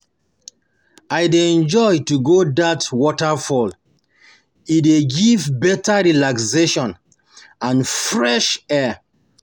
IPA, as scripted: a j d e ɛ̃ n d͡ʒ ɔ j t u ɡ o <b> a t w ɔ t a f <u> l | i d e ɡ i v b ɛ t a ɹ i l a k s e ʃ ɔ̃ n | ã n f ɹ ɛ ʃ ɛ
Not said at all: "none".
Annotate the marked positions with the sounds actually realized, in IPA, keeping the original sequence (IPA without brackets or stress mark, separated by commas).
d, ɔ